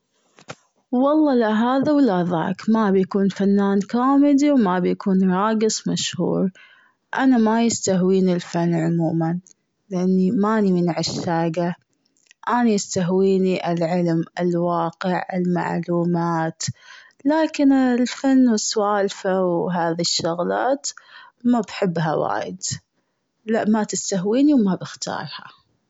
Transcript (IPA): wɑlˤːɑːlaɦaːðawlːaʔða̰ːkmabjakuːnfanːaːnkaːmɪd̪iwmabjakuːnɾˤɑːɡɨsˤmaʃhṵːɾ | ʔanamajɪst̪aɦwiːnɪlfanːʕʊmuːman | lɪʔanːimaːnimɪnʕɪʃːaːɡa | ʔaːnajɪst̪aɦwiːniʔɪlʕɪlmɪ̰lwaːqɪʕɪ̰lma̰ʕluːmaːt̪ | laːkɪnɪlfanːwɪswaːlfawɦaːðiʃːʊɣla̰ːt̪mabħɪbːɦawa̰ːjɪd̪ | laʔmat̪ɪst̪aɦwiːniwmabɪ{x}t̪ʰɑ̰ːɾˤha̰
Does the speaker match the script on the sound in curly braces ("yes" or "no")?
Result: yes